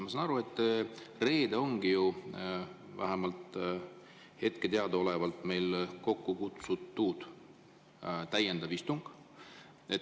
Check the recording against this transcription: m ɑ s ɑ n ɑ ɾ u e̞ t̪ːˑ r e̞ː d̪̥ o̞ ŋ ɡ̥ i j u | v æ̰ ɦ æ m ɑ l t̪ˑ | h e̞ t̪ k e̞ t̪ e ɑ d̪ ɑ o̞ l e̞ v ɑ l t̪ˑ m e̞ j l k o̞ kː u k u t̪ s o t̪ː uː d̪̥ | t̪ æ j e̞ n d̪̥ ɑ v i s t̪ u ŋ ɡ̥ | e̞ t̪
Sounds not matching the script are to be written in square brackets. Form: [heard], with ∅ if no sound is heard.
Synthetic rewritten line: m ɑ s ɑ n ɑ ɾ u e̞ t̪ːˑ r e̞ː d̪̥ o̞ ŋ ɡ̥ i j u | v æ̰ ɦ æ m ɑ l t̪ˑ | h e̞ t̪ k e̞ t̪ e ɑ d̪ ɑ o̞ l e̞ v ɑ l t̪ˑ m e̞ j l k o̞ kː u k u t̪ s [u] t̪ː uː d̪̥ | t̪ æ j e̞ n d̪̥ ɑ v i s t̪ u ŋ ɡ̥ | e̞ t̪